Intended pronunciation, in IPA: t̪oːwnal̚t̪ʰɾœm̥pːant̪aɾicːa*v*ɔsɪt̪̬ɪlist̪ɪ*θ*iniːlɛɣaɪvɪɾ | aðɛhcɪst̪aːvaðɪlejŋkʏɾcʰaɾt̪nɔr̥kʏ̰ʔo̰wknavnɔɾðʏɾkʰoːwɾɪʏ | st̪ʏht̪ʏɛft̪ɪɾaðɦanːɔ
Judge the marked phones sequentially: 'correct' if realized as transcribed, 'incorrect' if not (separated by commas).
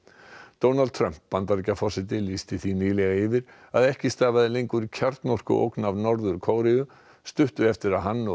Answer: incorrect, correct